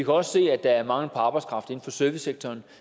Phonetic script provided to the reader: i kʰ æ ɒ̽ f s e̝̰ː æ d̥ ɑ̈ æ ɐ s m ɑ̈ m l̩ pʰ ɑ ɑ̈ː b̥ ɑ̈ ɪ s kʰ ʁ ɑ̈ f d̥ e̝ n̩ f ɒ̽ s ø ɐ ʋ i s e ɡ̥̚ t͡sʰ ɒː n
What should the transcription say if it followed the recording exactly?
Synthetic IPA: i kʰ æ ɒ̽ s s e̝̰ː æ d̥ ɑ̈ æ ɐ m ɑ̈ ŋ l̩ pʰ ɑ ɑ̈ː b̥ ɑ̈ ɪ s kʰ ʁ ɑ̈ f d̥ e̝ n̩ f ɒ̽ s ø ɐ ʋ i s e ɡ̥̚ t͡sʰ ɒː n

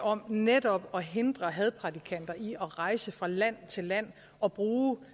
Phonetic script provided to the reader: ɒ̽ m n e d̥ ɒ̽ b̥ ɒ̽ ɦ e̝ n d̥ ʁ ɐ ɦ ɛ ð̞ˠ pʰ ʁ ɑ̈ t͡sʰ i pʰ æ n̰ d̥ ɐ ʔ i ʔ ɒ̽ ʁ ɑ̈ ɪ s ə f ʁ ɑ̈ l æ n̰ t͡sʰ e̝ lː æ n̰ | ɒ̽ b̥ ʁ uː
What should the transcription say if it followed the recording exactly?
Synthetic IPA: ɒ̽ m n e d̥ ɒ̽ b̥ ɒ̽ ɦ e̝ n d̥ ʁ ɐ ɦ ɛ ð̞ˠ pʰ ʁ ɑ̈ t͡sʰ i kʰ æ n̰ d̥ ɐ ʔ i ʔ ɒ̽ ʁ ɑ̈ ɪ s ə f ʁ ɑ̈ l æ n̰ t͡sʰ e̝ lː æ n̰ | ɒ̽ b̥ ʁ uː

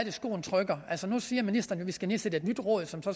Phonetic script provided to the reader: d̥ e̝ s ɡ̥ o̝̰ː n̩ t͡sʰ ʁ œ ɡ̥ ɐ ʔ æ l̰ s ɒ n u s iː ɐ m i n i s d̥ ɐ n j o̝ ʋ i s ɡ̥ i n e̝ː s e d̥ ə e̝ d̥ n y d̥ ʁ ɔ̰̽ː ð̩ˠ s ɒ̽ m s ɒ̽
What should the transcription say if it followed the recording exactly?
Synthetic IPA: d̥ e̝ s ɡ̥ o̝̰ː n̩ t͡sʰ ʁ œ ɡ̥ ɐ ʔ æ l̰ s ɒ n u s iː ɐ m i n i s d̥ ɐ n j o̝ ʋ i s ɡ̥ æ n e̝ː s e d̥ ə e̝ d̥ n y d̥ ʁ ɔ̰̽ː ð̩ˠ s ɒ̽ m s ɒ̽

